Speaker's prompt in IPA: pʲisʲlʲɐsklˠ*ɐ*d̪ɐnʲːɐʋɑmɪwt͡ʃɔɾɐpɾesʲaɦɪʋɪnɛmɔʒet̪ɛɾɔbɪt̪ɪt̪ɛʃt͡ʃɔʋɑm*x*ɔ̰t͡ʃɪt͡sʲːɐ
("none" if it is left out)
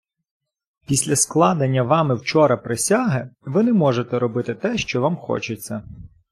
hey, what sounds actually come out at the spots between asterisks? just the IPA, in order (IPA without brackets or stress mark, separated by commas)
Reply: ɑ, x